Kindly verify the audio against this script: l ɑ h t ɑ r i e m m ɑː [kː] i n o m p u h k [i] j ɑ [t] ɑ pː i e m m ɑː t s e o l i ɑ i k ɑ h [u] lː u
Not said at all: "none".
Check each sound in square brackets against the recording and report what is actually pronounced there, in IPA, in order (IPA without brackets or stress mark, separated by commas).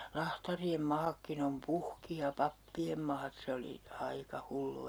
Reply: kː, i, p, u